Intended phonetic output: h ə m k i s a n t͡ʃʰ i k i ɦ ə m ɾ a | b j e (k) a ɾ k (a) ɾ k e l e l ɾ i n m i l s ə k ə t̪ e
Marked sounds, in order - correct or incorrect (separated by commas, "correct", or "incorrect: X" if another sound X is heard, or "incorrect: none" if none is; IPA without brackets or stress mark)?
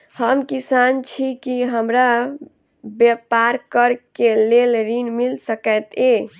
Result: incorrect: p, incorrect: ə